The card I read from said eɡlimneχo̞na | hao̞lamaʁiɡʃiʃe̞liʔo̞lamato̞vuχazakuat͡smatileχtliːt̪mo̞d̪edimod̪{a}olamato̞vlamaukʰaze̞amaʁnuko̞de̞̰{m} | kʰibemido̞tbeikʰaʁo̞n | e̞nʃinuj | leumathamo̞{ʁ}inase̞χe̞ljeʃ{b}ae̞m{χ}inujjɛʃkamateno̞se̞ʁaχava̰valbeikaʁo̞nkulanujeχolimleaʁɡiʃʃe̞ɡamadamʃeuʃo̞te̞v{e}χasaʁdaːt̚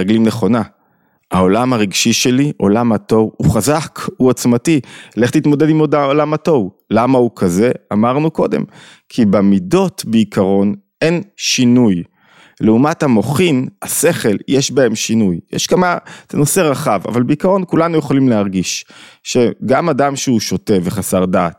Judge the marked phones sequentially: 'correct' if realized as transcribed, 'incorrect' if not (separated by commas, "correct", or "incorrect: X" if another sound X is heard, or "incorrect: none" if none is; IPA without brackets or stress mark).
correct, correct, incorrect: χ, correct, incorrect: ʃ, correct